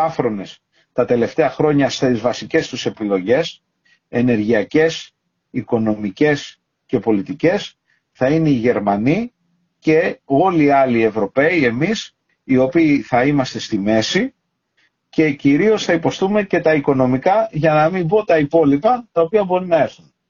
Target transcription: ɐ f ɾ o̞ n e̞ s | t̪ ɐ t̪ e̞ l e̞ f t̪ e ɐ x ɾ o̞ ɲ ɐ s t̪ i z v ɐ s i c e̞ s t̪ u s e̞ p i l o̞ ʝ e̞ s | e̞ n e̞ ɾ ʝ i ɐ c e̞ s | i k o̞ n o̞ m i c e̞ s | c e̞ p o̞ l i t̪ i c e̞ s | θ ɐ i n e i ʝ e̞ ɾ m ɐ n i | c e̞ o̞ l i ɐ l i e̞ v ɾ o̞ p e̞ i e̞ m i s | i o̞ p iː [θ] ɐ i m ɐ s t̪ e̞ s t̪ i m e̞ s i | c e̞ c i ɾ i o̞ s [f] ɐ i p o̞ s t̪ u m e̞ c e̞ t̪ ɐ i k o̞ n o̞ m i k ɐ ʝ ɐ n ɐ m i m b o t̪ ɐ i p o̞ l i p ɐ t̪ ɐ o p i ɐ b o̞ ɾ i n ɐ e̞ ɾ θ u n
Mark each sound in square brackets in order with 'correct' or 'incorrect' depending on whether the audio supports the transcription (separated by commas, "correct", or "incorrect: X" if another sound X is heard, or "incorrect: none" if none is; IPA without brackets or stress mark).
correct, incorrect: θ